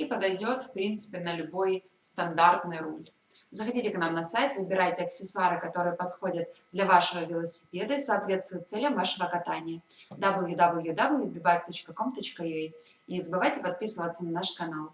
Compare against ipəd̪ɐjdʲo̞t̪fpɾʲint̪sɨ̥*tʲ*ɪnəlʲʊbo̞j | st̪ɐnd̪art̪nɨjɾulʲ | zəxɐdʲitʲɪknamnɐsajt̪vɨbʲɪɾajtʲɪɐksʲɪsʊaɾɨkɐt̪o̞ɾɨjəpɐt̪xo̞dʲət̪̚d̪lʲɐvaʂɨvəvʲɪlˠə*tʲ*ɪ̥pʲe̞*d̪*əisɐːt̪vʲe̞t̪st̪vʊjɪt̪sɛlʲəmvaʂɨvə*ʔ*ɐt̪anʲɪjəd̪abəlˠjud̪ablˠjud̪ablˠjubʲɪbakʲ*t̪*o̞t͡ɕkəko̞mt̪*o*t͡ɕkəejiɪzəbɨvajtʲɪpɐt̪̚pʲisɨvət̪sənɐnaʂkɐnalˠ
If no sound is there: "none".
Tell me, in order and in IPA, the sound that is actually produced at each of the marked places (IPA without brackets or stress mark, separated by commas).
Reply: pʲ, sʲ, d̪, k, t̪, o